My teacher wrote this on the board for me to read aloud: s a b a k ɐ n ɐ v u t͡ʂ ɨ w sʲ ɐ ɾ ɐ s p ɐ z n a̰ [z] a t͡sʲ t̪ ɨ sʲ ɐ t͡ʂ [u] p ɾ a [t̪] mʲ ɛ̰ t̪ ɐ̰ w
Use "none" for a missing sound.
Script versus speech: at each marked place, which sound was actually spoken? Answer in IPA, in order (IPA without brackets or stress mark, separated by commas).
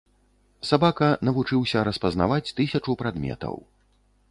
v, u, d̪